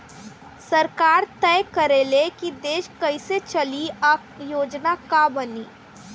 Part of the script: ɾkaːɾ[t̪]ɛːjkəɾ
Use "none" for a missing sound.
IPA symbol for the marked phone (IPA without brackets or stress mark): t̪